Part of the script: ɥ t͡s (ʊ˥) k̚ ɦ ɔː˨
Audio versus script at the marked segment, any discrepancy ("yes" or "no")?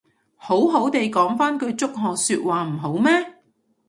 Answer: no